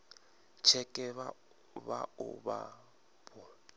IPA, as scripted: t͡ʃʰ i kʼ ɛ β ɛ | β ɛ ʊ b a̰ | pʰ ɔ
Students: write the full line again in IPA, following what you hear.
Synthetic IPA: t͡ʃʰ ɛ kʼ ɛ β a | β a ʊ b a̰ | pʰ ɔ